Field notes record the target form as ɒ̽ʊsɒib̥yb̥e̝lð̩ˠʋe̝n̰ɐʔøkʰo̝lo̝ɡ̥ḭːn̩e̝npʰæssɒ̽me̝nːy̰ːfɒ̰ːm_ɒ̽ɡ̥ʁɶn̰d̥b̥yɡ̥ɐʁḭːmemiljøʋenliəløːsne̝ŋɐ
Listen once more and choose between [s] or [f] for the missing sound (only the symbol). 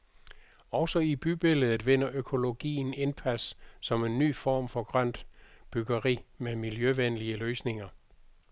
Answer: f